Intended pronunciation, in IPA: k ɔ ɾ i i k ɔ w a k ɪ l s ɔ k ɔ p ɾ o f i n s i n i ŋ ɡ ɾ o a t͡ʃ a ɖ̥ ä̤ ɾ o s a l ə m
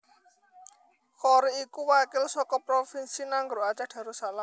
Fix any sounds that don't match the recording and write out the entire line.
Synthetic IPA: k ɔ ɾ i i k u w a k ɪ l s ɔ k ɔ p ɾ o f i n s i n a ŋ ɡ ɾ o a t͡ʃ a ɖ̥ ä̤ ɾ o s a l a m